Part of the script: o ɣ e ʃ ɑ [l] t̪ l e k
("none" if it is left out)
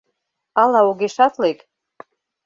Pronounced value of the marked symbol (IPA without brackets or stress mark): none